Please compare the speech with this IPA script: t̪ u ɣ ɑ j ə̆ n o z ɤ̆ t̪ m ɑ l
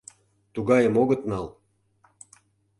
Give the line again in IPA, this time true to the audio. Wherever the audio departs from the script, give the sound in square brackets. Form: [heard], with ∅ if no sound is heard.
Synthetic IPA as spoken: t̪ u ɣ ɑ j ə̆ [m] o [ɣ] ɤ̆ t̪ [n] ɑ l